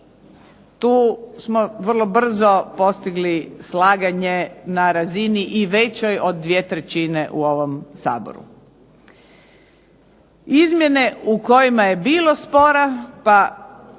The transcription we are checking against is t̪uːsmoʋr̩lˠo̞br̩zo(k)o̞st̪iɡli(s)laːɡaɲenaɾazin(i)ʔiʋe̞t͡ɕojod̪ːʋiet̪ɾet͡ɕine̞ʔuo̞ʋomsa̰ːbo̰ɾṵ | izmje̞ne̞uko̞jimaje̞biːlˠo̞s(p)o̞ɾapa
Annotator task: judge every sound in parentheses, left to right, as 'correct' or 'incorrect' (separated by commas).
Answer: incorrect, correct, correct, correct